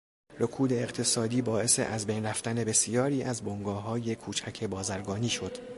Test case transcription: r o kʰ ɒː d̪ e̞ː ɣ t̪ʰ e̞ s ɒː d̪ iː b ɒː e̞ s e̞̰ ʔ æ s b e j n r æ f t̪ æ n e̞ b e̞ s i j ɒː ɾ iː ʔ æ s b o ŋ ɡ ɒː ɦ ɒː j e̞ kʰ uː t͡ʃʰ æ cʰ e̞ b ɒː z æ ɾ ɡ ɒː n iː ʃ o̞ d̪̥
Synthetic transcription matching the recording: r o kʰ uː d̪ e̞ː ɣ t̪ʰ e̞ s ɒː d̪ iː b ɒː e̞ s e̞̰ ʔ æ z b e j n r æ f t̪ æ n e̞ b e̞ s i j ɒː ɾ iː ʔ æ z b o ŋ ɡ ɒː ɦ ɒː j e̞ kʰ uː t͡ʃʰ æ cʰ e̞ b ɒː z æ ɾ ɡ ɒː n iː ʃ o̞ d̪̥